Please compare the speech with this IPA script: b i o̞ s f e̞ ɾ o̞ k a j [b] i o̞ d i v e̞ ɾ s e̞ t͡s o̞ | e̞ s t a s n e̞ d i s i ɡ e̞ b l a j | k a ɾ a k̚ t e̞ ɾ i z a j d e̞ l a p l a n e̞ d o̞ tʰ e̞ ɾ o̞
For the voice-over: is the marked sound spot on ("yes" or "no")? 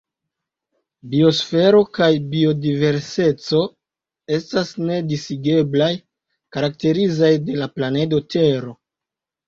yes